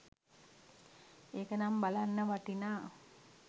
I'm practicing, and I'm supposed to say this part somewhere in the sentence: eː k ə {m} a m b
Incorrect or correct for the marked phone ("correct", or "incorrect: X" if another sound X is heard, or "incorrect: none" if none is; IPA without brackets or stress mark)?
incorrect: n